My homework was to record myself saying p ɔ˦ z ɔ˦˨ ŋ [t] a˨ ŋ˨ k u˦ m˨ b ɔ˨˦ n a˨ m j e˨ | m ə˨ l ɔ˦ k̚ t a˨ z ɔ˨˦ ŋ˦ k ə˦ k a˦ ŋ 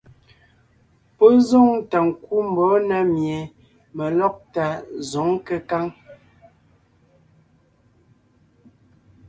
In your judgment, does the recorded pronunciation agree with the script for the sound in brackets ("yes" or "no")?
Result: yes